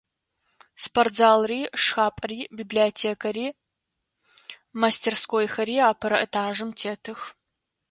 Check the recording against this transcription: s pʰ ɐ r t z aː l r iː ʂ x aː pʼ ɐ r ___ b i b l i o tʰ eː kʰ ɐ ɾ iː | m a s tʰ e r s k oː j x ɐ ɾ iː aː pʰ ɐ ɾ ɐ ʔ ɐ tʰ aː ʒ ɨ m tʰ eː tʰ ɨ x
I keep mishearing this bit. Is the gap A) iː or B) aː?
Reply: A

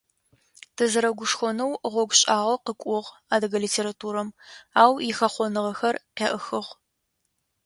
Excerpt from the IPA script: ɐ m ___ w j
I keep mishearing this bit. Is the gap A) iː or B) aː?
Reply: B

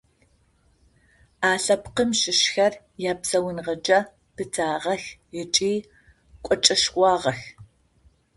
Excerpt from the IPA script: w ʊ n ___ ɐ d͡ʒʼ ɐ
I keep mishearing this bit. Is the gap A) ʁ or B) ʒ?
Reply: A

